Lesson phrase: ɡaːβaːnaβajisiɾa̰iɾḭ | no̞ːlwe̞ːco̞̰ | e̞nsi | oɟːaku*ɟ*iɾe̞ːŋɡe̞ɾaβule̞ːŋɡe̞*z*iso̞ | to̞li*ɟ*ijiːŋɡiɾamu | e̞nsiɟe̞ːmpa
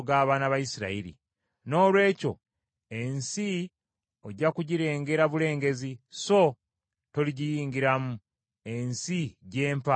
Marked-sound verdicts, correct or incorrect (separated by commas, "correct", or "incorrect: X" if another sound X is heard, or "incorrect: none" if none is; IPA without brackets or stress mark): correct, correct, correct